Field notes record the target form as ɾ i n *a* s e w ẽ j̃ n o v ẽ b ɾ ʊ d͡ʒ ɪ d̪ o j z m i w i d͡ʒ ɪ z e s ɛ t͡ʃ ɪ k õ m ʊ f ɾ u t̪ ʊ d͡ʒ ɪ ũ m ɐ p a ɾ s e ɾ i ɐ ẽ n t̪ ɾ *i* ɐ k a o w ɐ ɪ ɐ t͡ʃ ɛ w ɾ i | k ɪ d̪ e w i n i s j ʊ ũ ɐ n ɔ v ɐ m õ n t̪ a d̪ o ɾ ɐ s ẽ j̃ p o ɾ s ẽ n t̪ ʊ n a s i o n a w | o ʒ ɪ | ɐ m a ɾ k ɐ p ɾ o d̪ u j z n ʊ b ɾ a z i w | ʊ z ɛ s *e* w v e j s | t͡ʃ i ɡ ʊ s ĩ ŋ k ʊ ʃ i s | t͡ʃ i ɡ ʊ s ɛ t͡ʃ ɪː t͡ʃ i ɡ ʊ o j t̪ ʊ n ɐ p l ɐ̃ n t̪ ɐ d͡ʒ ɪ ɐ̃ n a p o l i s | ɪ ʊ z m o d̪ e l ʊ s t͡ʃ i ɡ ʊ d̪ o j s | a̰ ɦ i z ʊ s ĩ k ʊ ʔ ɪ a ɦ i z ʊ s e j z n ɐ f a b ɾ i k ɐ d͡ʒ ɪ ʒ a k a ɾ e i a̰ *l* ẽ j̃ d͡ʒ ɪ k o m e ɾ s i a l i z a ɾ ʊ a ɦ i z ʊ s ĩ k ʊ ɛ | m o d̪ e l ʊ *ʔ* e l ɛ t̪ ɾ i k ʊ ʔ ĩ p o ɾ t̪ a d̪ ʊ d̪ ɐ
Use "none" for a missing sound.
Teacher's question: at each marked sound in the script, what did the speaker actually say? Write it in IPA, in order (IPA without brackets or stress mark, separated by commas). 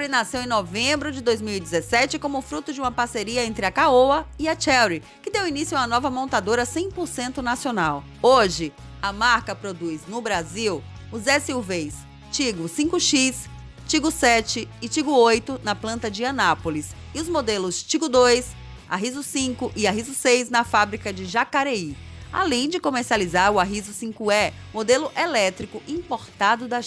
a, ɪ, i, l, ʔ